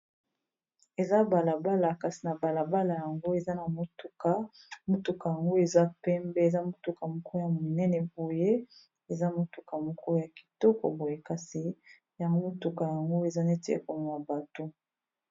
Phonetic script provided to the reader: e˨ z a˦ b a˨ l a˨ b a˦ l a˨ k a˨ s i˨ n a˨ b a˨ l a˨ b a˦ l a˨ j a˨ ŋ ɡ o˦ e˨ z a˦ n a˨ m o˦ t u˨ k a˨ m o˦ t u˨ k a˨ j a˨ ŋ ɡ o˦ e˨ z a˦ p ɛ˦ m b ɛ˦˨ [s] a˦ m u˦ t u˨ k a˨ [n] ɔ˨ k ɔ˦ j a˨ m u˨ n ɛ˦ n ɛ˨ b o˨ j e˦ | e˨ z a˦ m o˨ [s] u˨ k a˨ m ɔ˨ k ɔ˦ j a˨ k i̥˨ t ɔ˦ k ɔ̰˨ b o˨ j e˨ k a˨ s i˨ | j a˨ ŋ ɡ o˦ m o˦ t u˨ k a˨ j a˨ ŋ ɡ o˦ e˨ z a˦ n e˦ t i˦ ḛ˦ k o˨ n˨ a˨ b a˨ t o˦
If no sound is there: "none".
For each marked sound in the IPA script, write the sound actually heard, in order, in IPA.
z, m, t

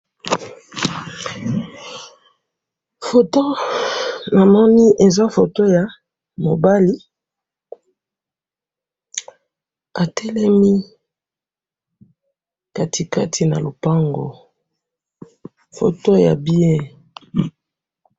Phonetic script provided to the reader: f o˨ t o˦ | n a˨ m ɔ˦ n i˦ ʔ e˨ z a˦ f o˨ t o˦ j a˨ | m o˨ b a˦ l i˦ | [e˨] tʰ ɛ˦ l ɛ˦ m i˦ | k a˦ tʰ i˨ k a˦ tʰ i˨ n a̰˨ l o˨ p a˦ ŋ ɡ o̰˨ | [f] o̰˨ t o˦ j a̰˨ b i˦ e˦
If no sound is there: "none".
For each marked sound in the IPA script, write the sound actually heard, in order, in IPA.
a˨, f

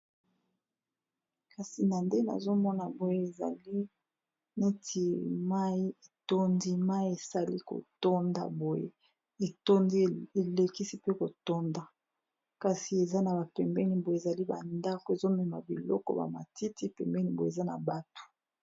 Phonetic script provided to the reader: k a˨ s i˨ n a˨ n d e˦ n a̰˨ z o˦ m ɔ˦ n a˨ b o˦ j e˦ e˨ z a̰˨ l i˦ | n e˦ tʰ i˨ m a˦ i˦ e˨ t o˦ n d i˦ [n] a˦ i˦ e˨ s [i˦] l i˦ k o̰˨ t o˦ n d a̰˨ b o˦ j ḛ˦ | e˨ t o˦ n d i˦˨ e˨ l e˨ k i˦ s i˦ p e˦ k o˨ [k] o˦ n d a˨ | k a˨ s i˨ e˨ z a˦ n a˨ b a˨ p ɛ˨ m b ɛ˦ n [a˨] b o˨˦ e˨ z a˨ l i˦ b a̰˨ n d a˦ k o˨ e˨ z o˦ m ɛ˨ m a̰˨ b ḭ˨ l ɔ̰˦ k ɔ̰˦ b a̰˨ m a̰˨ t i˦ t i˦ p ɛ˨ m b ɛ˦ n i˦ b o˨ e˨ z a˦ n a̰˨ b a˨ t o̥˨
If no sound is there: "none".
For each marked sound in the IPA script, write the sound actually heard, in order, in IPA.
m, a˦, t, i˨

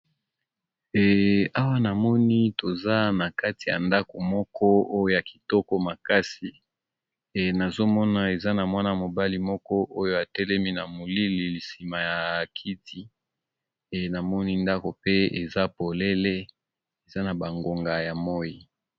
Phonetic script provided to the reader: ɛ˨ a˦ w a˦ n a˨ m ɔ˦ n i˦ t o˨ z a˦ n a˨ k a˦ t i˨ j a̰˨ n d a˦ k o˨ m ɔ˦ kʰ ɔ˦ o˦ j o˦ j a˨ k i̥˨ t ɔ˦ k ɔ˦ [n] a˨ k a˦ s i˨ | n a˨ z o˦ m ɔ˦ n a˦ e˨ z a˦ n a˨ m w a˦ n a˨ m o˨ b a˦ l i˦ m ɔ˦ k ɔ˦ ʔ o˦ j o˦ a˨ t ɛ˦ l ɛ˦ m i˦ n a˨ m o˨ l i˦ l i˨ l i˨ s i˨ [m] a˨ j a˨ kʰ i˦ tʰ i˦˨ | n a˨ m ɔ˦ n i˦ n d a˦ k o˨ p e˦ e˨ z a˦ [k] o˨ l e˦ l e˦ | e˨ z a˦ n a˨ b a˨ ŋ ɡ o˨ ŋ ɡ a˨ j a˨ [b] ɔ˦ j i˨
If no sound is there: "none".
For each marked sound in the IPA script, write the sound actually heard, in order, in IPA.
m, m, p, m

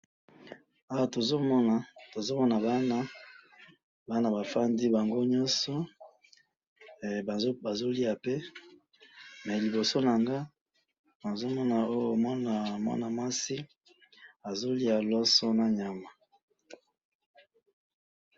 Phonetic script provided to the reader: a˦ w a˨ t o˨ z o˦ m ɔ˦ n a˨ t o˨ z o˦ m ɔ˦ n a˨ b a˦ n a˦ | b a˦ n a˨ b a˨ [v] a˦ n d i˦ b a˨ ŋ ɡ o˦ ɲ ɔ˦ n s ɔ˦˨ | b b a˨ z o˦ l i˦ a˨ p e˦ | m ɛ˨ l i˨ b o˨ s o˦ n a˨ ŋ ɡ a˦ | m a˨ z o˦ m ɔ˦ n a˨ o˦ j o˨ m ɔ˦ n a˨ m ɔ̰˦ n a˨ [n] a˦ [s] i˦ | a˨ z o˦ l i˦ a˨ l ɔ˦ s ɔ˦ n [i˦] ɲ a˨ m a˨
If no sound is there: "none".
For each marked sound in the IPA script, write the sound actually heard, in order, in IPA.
f, m, s, a˦

